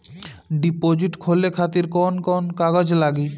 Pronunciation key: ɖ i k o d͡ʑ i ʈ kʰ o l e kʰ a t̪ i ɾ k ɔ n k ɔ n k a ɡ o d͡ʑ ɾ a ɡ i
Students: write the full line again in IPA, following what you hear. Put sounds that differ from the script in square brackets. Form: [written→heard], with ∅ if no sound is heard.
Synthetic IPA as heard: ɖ i [k→p] o d͡ʑ i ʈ kʰ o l e kʰ a t̪ i ɾ k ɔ n k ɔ n k a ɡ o d͡ʑ [ɾ→l] a ɡ i